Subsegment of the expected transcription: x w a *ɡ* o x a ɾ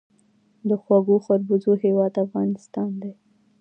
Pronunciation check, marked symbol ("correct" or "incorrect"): correct